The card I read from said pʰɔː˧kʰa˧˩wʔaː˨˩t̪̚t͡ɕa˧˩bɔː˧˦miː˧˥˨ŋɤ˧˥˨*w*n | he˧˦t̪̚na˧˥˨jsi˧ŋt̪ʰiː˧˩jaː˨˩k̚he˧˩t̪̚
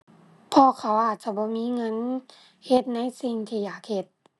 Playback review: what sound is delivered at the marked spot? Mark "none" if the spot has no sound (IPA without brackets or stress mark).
none